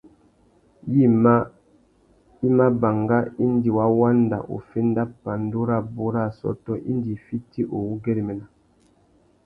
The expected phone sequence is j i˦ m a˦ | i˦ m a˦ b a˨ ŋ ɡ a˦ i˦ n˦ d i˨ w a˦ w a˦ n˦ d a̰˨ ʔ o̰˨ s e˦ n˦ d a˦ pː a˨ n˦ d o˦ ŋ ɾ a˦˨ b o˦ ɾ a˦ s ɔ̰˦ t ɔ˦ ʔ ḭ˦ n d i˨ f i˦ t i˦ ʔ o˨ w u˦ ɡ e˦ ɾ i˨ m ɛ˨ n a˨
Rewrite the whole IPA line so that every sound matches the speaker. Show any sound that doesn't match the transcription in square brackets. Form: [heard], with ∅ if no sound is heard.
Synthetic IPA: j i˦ m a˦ | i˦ m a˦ b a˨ ŋ ɡ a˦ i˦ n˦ d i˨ w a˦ w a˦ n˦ d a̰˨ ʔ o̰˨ [f] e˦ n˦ d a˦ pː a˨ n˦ d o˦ [∅] ɾ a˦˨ b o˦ ɾ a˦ s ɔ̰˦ t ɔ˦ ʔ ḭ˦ n d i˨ f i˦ t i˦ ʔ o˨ w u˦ ɡ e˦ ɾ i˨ m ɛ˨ n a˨